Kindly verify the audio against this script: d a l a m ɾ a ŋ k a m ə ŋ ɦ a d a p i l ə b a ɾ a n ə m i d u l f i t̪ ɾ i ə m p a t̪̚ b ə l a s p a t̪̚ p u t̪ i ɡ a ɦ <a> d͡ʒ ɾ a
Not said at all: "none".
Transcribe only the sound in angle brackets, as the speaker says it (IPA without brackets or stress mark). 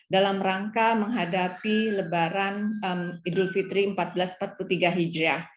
i